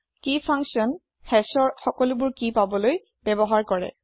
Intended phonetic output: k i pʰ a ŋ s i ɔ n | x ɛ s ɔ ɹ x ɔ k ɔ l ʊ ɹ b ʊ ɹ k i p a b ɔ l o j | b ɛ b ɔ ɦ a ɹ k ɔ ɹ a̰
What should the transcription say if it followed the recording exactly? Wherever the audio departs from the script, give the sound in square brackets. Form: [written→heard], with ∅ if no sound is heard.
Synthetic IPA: k i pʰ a ŋ s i ɔ n | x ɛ s ɔ ɹ x ɔ k ɔ l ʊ [ɹ→∅] b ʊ ɹ k i p a b ɔ l o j | b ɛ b ɔ ɦ a ɹ k ɔ ɹ [a̰→ɛ̰]